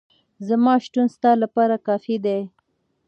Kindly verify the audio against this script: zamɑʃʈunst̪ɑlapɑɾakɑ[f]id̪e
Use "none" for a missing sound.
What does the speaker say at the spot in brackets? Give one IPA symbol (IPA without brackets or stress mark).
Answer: f